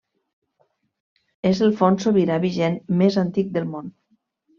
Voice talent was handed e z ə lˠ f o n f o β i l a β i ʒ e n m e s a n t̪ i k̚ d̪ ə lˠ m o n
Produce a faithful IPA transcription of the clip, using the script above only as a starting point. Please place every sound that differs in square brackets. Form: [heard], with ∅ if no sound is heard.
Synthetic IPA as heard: e z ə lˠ f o n [s] o β i [ɾ] a β i ʒ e n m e [z] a n t̪ i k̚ d̪ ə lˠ m o n